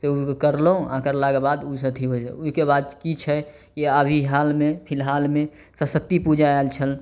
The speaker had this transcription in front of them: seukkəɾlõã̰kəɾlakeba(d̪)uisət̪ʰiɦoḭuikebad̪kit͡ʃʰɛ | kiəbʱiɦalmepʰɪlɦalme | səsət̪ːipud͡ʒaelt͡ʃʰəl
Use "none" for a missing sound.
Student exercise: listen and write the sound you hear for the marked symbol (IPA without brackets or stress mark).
d̪